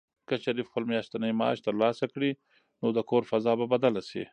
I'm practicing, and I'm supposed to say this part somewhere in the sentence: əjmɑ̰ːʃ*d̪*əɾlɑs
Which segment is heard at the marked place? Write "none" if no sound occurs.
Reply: t̪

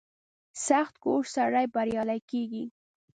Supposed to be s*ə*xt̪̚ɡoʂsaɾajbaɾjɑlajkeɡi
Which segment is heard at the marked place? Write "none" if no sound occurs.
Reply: a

